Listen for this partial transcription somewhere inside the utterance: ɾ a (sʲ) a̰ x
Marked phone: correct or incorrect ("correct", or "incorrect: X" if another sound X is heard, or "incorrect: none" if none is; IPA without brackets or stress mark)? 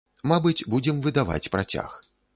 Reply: incorrect: t͡sʲ